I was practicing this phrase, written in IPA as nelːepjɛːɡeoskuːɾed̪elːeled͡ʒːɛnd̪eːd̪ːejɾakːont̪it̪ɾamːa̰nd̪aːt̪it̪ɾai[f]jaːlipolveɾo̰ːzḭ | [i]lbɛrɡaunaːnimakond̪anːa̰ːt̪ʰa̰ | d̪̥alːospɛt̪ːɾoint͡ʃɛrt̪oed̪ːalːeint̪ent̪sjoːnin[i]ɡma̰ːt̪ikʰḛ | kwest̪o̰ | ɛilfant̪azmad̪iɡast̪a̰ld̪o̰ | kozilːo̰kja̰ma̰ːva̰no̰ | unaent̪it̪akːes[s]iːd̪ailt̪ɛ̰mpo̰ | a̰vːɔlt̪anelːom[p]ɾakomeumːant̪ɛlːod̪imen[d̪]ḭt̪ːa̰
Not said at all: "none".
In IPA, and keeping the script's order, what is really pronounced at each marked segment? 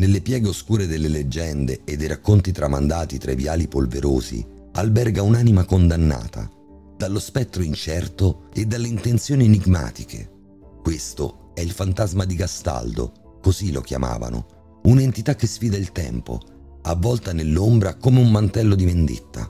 v, a, i, f, b, d̪

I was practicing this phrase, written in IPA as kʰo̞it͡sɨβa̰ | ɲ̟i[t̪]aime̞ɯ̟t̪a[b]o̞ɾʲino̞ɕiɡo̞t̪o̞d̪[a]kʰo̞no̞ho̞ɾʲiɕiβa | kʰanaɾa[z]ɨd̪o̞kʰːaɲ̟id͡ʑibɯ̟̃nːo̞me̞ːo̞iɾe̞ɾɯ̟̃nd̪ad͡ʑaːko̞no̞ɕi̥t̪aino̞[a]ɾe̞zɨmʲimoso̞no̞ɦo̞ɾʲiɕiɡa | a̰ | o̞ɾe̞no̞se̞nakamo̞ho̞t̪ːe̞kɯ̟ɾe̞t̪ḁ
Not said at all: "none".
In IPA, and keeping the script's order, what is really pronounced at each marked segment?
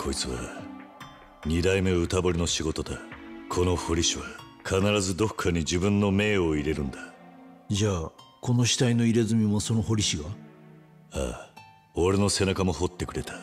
d̪, b, a, z, i

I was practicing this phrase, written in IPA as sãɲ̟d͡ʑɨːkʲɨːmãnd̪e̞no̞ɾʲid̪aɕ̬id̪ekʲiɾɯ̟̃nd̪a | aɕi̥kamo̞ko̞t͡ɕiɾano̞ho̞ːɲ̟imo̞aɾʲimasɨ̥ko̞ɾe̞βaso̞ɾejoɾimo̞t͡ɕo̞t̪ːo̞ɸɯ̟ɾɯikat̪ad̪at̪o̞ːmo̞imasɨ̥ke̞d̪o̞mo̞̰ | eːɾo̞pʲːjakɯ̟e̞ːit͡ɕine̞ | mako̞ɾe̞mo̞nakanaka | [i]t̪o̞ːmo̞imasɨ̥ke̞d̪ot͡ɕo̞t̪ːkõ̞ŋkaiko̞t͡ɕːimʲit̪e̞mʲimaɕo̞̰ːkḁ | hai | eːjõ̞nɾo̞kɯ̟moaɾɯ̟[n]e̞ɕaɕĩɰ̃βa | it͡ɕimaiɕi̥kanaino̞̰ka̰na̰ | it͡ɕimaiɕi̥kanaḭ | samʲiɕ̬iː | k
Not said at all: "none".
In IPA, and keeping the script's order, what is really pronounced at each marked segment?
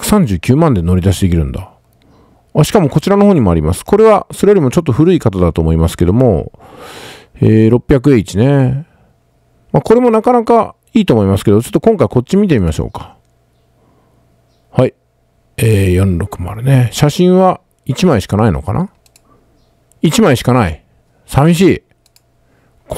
iː, n

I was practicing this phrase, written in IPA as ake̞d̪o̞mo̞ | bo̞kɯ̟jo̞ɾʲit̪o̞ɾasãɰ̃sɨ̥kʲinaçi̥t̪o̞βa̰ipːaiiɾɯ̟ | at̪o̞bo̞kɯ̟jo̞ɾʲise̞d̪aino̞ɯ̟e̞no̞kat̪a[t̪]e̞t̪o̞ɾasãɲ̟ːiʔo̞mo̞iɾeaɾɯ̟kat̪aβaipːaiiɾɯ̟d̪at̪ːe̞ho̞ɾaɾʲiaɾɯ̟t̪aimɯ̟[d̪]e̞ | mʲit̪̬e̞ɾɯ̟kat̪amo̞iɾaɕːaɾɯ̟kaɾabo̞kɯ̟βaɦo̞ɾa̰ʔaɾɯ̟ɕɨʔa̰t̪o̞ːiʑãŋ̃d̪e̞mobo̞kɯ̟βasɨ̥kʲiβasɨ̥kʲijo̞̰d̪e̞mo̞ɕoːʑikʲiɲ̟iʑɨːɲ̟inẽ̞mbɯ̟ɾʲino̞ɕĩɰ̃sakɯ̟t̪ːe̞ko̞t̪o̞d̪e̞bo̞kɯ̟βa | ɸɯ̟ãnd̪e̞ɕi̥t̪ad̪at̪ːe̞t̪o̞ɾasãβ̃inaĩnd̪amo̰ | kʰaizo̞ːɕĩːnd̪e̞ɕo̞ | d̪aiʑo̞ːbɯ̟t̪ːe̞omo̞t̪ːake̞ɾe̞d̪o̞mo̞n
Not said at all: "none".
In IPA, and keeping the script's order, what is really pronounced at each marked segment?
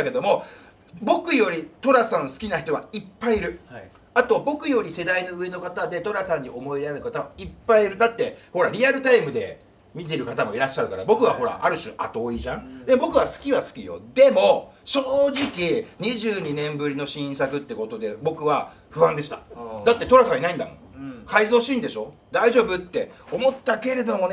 d̪, d̪

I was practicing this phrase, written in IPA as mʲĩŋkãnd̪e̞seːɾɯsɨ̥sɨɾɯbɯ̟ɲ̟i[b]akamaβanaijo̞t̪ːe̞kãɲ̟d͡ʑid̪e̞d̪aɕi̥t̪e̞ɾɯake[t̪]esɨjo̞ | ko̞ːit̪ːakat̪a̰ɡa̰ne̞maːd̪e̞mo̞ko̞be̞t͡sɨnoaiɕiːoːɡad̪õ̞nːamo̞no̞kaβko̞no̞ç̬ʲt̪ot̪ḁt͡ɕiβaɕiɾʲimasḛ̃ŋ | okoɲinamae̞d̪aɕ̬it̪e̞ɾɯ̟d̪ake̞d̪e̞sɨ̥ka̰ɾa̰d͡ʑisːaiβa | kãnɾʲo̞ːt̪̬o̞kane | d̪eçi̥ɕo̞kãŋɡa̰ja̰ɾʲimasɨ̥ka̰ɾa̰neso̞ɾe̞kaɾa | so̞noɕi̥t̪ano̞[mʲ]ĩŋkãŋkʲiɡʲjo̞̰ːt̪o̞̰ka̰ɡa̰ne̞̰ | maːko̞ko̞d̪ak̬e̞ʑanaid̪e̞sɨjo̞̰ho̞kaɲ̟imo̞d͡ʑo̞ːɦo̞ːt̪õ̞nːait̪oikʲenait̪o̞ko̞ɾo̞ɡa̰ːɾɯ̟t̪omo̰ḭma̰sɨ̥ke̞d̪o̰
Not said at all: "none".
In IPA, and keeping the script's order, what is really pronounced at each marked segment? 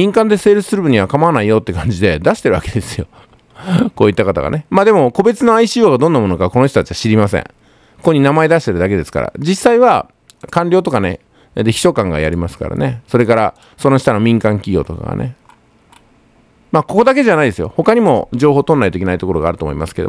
β, d̪, mʲ

